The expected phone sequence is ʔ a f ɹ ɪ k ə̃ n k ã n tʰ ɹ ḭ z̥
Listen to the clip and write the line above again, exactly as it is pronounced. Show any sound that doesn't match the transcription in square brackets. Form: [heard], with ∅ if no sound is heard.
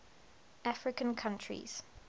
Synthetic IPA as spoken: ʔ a f ɹ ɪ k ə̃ n [kʰ] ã n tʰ ɹ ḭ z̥

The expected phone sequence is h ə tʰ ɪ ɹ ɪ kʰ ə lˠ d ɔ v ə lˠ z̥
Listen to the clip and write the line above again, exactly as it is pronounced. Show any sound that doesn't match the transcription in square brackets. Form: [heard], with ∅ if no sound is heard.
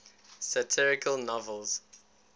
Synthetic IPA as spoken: [s] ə tʰ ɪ ɹ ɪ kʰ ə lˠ [n] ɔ v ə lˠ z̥

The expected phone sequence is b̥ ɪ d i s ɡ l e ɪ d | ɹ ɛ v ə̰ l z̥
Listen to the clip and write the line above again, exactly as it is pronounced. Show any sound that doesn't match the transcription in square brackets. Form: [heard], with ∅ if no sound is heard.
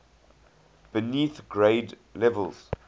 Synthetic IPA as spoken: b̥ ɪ [n] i [θ] ɡ [ɹ] e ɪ d | [l] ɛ v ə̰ l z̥

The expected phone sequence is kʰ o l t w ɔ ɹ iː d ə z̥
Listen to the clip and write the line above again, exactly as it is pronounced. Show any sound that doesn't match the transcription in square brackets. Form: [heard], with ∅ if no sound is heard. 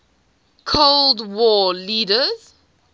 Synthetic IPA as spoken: kʰ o l [d] w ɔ [l] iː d ə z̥

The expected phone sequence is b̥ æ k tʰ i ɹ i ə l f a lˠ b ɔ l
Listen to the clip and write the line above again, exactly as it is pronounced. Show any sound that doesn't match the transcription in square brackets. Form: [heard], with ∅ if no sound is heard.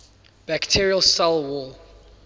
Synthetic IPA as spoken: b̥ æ k tʰ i ɹ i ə l [s] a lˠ [w] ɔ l

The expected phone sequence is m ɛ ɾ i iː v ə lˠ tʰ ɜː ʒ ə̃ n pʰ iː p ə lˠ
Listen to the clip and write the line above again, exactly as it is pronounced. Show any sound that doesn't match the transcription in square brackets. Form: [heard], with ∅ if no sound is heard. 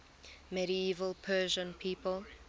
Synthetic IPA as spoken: m ɛ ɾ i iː v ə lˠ [pʰ] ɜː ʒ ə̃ n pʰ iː p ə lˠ

